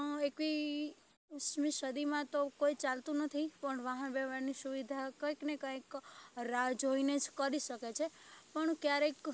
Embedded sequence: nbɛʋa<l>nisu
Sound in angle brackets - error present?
yes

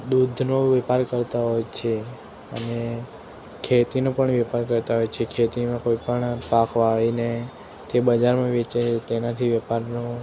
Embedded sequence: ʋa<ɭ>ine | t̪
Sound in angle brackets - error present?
no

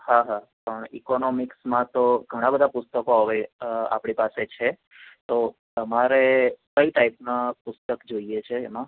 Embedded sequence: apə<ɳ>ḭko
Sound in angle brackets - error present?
no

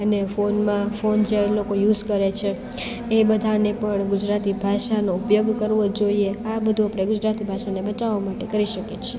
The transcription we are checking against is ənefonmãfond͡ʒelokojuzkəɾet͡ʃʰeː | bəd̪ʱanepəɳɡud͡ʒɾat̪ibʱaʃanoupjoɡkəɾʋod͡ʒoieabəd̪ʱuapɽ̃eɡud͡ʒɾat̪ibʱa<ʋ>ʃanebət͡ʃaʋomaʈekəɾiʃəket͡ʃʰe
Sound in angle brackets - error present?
yes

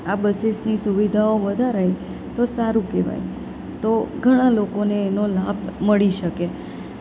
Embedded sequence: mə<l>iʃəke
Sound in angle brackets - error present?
yes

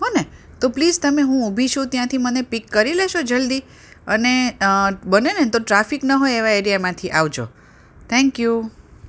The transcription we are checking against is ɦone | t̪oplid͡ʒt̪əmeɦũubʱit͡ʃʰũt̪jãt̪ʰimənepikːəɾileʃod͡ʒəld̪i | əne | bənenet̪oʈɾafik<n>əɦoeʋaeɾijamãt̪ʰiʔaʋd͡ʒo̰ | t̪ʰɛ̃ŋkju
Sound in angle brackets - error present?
no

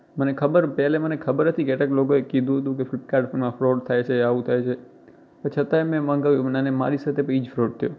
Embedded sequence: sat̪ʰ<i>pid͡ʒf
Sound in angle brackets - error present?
yes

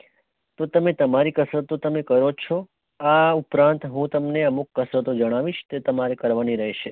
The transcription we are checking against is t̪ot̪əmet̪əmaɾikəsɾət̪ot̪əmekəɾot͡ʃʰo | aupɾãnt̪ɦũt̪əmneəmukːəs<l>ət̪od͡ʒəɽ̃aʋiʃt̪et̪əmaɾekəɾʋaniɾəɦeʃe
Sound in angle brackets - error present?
yes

